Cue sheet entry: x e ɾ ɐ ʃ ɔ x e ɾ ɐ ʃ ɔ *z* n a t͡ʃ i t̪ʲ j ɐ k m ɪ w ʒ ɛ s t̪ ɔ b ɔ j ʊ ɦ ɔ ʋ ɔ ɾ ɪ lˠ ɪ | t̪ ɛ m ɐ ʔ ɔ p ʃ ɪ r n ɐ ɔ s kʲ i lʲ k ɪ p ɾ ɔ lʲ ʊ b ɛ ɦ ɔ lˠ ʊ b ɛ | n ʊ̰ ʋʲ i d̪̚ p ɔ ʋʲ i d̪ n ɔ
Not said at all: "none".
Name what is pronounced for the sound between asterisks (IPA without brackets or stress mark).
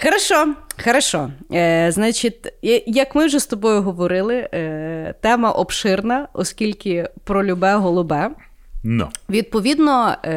z